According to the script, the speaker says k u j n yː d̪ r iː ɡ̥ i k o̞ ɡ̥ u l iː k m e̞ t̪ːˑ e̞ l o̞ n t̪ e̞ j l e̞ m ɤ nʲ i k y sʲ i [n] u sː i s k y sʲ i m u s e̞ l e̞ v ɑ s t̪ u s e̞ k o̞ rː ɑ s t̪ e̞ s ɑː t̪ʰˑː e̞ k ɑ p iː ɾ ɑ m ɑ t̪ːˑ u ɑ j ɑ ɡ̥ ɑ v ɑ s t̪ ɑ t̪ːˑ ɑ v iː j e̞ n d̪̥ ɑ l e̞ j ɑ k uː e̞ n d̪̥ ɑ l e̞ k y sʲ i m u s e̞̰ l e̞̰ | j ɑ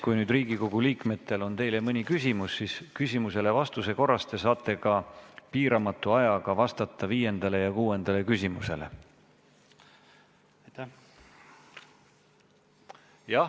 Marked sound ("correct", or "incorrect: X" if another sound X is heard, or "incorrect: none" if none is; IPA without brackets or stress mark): incorrect: m